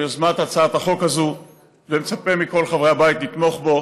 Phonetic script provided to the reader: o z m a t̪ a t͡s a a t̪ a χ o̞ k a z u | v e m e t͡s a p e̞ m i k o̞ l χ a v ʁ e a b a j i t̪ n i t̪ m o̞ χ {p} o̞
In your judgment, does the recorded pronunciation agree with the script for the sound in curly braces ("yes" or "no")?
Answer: no